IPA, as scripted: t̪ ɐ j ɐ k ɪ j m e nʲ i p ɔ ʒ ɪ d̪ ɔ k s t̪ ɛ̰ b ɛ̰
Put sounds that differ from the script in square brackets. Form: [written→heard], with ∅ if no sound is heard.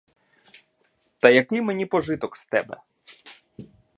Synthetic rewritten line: t̪ ɐ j ɐ k ɪ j m e nʲ i p ɔ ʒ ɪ [d̪→t̪] ɔ k s t̪ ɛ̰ b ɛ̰